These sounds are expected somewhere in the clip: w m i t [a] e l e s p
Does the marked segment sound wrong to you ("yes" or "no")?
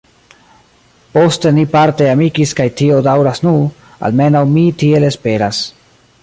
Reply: yes